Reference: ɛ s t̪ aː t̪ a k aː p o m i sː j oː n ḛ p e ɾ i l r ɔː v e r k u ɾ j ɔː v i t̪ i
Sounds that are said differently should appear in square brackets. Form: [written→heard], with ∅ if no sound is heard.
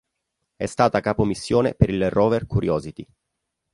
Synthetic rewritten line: ɛ s t̪ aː t̪ a k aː p o m i sː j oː n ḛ p e ɾ i l r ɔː v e r k u ɾ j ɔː [v→z] i t̪ i